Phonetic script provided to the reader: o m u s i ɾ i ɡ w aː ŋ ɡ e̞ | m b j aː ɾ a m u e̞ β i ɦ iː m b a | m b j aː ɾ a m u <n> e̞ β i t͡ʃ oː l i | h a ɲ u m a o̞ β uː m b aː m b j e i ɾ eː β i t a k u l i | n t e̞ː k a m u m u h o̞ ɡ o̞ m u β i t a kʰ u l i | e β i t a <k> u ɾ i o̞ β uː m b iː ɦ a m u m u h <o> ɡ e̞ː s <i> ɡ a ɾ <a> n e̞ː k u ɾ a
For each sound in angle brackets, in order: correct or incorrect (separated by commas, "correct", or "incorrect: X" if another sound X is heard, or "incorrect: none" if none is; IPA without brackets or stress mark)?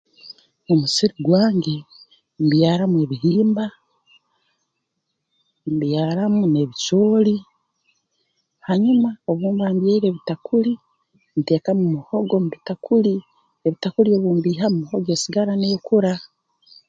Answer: correct, correct, correct, correct, correct